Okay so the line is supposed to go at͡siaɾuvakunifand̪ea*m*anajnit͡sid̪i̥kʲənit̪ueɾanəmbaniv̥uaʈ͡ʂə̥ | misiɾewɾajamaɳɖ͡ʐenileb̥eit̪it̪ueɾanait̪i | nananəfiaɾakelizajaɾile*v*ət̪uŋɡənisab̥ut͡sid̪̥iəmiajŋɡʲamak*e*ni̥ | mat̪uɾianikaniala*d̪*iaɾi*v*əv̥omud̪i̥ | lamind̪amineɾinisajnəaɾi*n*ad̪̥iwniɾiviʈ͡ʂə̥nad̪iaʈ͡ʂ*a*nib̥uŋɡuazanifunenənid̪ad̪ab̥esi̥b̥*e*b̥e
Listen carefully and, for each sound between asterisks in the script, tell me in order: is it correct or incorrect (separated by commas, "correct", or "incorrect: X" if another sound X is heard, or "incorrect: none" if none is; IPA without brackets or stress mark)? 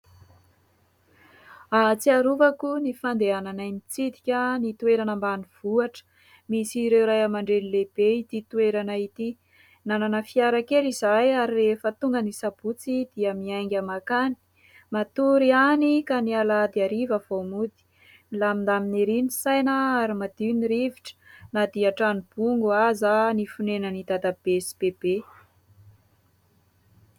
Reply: incorrect: n, incorrect: f, incorrect: a, correct, correct, incorrect: m, correct, correct